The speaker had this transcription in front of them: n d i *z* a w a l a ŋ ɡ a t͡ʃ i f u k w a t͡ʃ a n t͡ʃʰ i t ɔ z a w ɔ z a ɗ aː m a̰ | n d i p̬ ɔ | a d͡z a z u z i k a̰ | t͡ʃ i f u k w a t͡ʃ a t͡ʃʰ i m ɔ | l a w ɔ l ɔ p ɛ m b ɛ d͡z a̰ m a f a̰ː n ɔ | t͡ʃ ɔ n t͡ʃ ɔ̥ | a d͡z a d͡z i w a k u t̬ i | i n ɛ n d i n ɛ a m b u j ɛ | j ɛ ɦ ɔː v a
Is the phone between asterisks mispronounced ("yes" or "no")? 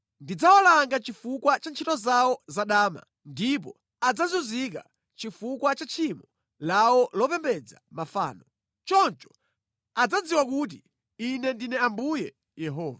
yes